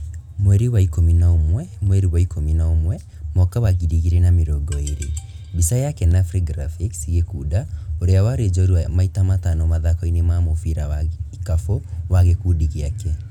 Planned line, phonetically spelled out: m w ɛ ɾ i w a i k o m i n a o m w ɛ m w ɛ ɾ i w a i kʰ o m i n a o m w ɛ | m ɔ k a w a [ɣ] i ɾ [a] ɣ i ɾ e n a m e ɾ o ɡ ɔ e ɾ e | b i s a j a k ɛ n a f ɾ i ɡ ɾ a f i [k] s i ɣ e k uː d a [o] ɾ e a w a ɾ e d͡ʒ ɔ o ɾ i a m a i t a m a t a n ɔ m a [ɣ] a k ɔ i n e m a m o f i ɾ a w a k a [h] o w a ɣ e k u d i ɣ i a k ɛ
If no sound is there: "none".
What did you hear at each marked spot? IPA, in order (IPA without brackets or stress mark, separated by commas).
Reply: ɣ, i, k, o, ð, f